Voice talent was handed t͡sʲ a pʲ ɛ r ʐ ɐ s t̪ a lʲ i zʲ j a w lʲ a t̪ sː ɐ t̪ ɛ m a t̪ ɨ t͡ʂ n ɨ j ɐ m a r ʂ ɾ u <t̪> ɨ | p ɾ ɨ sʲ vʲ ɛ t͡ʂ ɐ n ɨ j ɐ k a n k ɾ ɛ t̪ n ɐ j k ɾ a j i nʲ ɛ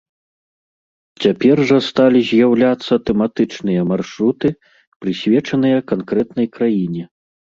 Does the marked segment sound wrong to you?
no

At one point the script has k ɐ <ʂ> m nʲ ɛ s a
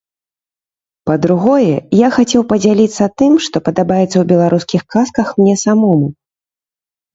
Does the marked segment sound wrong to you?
yes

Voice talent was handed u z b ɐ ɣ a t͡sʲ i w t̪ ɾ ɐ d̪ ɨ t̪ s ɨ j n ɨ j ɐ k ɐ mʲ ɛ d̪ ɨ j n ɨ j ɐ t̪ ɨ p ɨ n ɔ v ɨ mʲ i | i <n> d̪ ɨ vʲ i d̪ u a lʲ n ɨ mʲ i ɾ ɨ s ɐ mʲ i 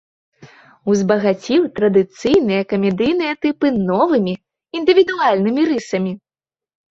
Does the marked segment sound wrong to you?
no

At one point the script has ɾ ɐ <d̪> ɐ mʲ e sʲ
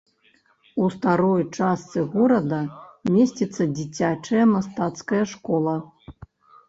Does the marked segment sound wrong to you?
no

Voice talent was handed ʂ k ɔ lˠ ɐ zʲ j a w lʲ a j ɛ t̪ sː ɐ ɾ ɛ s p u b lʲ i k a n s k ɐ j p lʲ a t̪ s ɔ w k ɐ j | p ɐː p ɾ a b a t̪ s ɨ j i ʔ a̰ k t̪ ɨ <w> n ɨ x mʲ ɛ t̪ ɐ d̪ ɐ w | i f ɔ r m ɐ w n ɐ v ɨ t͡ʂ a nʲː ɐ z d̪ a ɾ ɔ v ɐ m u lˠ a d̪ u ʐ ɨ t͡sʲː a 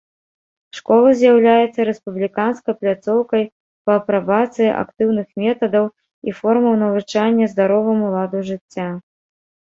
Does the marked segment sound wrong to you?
no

